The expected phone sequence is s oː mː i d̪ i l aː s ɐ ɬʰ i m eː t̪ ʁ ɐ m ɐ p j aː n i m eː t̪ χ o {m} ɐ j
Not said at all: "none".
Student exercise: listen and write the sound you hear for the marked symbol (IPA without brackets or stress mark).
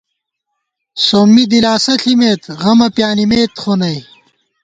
n